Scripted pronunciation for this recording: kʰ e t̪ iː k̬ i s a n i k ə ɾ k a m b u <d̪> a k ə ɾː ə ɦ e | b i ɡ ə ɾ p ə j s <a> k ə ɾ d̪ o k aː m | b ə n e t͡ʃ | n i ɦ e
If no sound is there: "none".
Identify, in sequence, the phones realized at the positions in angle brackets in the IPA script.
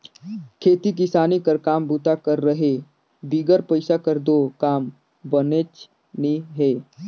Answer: t̪, a

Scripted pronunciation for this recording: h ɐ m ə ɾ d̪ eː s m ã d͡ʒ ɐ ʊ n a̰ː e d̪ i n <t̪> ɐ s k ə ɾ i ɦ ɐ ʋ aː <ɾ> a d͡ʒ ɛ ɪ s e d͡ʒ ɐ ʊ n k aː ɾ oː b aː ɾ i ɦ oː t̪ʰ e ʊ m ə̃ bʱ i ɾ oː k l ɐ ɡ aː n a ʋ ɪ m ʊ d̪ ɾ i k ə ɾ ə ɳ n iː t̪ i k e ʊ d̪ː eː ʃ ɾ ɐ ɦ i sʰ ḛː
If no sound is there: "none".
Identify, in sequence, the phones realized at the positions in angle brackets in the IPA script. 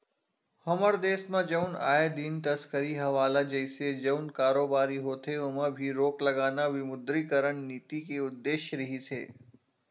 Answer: t̪, l

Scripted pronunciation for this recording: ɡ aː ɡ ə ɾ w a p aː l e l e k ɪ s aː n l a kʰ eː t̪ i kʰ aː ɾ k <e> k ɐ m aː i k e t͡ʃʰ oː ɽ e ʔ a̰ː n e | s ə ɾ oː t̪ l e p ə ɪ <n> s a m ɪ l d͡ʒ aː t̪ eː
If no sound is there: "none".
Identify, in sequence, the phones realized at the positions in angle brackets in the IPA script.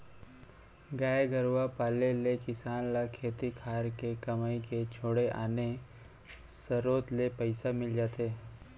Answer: e, none

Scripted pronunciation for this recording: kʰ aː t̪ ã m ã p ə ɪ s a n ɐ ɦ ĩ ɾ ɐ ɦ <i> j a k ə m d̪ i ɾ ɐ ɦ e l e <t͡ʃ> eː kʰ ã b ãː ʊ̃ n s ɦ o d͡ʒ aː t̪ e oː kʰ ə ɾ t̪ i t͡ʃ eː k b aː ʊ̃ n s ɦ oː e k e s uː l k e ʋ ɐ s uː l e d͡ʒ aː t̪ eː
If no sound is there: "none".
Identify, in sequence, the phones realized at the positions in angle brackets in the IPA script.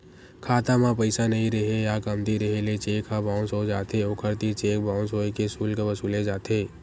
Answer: e, t͡ʃ

